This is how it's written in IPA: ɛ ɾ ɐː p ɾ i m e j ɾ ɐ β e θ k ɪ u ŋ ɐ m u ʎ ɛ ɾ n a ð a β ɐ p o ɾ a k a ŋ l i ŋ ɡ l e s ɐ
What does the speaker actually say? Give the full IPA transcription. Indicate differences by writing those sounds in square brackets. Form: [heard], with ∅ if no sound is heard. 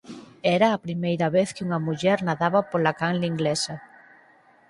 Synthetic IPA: ɛ ɾ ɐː p ɾ i m e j ɾ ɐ β e θ k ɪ u ŋ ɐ m u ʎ ɛ ɾ n a ð a β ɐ p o [l] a k a ŋ l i ŋ ɡ l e s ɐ